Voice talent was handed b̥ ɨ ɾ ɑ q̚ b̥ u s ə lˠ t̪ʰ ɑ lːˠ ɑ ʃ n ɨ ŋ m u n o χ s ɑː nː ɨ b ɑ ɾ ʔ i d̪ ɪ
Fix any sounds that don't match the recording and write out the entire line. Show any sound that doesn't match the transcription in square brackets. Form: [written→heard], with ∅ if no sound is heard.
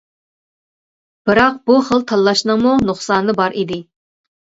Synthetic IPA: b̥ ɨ ɾ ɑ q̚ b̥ u [s→χ] ə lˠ t̪ʰ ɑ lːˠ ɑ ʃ n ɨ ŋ m u n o χ s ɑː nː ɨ b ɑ ɾ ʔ i d̪ ɪ